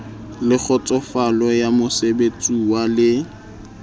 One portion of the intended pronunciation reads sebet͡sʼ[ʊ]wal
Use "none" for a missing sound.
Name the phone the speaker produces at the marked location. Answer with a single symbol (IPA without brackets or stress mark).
u